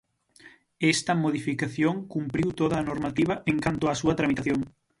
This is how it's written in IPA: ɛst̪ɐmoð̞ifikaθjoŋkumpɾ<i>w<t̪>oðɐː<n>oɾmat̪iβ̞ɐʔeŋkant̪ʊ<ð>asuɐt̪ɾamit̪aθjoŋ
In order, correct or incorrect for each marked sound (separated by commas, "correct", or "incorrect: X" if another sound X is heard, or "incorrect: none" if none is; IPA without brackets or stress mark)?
correct, correct, correct, incorrect: none